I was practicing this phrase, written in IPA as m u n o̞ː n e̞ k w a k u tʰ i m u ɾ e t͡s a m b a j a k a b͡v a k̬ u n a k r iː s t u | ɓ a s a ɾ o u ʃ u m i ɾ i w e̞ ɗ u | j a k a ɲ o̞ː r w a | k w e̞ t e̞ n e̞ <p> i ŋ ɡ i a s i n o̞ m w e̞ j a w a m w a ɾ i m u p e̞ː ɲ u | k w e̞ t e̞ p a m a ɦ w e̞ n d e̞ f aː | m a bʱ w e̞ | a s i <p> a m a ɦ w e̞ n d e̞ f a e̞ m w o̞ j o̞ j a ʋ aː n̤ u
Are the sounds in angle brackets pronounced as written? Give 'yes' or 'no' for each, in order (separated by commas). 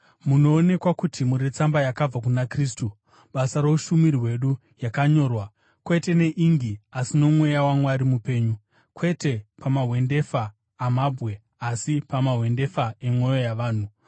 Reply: no, yes